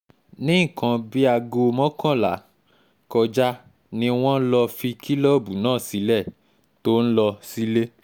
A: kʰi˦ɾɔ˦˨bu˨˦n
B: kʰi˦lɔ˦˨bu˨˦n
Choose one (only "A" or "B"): B